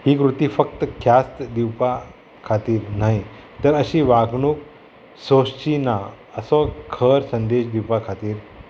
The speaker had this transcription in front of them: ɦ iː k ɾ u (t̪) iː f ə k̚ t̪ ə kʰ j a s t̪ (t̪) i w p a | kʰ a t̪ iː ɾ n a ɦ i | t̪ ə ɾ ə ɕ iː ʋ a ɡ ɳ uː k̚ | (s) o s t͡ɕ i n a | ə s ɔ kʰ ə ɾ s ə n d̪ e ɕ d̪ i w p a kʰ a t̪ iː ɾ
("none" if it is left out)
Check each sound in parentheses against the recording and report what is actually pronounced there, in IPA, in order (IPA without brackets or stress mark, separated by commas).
t̪, d̪, s